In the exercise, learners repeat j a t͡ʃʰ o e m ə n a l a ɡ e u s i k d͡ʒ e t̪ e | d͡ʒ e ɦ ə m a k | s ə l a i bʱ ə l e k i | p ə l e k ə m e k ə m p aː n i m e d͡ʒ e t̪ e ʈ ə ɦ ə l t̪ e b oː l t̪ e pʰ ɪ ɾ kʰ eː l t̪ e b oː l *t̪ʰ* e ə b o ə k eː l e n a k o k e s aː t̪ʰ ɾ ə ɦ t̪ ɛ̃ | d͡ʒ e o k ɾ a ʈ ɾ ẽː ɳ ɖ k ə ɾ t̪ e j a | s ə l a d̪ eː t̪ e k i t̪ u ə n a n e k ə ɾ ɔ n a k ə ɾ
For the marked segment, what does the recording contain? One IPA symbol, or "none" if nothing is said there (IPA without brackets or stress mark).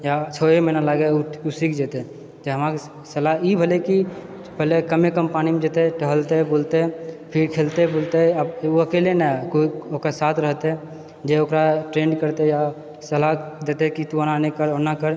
t̪